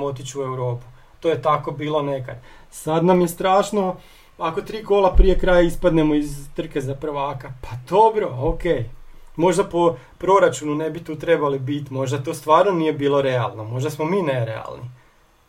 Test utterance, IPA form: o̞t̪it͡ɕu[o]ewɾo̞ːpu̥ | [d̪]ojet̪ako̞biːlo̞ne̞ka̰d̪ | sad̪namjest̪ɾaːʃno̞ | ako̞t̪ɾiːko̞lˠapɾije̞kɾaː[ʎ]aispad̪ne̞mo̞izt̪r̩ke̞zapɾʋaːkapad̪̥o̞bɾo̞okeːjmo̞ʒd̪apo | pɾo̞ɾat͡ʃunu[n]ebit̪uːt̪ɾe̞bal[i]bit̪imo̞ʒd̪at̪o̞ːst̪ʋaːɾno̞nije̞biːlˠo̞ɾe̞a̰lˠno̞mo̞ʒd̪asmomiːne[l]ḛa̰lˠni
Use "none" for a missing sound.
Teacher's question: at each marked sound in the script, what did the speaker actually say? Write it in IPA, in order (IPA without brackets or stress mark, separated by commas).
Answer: u, t̪, j, n, i, ɾ